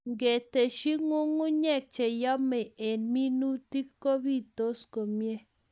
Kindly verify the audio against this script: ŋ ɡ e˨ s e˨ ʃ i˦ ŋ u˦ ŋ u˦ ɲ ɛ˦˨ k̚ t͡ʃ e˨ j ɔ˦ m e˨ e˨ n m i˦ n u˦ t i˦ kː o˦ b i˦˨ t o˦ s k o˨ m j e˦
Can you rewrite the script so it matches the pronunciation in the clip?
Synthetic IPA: ŋ ɡ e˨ t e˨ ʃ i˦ ŋ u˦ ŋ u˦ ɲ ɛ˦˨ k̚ t͡ʃ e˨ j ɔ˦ m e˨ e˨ n m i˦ n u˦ t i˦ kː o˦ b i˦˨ t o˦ s k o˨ m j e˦